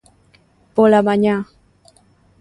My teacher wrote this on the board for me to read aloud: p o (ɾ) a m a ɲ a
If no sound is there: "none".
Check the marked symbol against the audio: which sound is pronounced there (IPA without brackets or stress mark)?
l